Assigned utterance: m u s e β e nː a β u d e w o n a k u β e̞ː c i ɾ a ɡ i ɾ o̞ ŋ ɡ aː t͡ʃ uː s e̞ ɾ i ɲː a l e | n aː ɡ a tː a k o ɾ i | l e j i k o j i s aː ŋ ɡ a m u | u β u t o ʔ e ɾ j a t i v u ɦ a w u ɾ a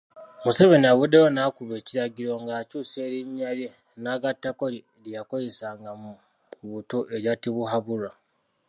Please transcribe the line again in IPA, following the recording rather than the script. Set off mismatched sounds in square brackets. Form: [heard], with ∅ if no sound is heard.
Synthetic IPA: m u s e β e [n] a β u d e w o n a k u β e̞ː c i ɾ a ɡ i ɾ o̞ ŋ ɡ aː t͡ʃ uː s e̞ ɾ i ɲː a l e | n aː ɡ a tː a k o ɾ i | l [i] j [a] k o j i s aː ŋ ɡ a m u | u β u t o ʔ e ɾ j a t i [β] u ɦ a [β] u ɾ a